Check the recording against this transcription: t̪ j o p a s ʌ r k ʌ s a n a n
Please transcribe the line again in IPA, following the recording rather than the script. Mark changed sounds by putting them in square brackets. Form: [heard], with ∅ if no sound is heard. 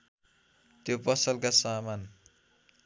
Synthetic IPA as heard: t̪ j o p [ʌ] s ʌ [l] k [a] s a [m] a n